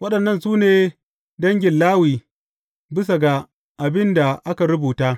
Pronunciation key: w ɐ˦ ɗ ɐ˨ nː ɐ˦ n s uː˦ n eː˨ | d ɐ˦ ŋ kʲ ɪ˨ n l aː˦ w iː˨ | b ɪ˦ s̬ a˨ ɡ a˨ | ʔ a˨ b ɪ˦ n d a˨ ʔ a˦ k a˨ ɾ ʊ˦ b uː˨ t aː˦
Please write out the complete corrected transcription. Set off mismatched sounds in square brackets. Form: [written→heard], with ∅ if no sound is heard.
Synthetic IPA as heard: w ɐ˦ ɗ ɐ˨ nː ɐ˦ n s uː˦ n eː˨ | d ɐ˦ ŋ [kʲ→ɡʲ] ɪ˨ n l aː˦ w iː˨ | b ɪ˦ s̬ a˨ ɡ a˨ | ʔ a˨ b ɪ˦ n d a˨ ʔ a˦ k a˨ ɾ ʊ˦ b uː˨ t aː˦

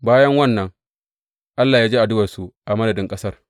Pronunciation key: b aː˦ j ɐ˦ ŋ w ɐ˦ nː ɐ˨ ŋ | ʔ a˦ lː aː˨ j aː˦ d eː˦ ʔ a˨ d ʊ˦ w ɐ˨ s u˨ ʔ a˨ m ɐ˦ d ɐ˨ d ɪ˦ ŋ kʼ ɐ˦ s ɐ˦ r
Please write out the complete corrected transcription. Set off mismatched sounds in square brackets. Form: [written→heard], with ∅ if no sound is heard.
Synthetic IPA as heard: b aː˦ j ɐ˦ ŋ w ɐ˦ nː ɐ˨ ŋ | ʔ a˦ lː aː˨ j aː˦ [d→d͡ʒ] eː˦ ʔ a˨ d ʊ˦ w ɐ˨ s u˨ ʔ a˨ m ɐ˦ d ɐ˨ d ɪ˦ ŋ kʼ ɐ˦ s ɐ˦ r

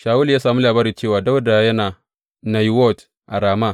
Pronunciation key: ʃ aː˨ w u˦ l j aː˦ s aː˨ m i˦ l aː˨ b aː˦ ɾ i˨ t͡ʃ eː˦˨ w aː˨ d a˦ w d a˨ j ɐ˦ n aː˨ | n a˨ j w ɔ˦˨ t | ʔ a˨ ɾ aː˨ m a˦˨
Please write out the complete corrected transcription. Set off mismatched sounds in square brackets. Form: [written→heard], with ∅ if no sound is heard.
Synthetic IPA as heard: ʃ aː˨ w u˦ l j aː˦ s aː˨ m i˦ l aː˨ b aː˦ ɾ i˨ t͡ʃ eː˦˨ w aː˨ d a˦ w d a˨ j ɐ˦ n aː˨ | n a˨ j w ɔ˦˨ t | ʔ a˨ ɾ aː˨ m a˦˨

